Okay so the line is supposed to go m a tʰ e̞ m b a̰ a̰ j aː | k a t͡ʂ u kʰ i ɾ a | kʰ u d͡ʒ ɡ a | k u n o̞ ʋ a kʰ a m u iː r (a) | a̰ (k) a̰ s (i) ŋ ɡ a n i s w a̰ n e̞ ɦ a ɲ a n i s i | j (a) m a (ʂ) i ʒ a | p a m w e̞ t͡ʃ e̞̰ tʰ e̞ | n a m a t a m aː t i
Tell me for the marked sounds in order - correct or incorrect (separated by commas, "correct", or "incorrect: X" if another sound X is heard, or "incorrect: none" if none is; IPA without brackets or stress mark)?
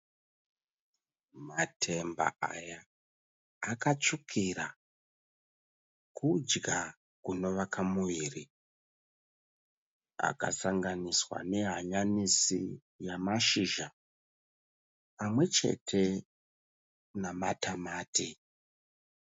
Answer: incorrect: i, correct, incorrect: a, correct, incorrect: ʃ